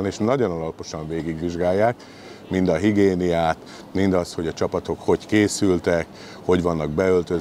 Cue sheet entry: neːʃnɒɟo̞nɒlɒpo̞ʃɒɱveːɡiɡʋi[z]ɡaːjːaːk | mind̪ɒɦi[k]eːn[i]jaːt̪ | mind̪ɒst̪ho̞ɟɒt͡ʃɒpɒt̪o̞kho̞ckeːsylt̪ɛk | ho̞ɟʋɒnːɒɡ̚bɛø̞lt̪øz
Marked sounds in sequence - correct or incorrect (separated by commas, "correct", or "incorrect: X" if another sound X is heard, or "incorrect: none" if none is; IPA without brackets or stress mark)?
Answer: incorrect: ʒ, incorrect: ɡ, correct